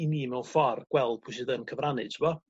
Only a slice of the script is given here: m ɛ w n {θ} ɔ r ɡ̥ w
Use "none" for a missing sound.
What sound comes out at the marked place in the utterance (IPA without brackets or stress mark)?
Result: f